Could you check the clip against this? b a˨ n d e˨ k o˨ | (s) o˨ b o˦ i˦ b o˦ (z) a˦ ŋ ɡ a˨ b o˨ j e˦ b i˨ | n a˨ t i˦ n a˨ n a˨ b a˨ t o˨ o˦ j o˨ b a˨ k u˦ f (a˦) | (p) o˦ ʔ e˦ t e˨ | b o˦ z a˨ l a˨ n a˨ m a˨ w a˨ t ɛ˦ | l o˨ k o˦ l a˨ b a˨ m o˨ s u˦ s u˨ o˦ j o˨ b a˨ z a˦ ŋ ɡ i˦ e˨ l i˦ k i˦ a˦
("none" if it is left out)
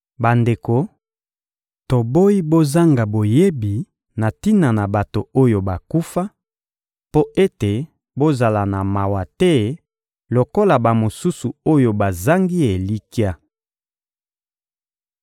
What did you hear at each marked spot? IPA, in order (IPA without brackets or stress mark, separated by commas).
t, z, a˦, p